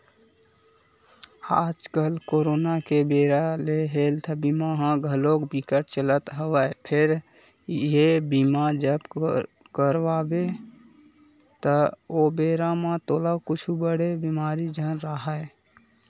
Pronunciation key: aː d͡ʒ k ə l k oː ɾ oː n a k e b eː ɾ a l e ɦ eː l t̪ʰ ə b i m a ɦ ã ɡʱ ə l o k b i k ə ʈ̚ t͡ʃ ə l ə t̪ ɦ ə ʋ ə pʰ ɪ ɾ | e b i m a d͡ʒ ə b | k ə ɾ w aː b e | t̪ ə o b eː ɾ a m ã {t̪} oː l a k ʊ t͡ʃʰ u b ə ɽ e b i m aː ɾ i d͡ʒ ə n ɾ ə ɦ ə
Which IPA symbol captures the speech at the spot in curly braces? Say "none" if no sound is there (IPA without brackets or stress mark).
t̪